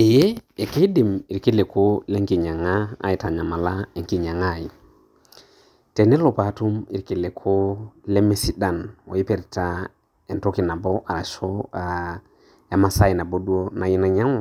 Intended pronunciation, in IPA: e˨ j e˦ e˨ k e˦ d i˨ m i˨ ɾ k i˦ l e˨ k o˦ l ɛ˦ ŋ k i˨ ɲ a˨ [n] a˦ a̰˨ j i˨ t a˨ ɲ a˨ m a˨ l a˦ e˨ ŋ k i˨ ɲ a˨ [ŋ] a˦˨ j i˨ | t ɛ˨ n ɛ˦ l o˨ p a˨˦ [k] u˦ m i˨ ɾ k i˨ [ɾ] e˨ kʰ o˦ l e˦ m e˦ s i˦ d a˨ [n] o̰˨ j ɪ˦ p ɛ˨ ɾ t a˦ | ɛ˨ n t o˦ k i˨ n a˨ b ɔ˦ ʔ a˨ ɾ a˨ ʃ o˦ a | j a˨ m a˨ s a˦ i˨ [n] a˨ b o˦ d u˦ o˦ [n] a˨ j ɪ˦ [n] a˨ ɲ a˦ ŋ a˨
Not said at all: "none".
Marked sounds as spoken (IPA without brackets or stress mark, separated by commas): ŋ, ŋ, t, l, n, n, n, n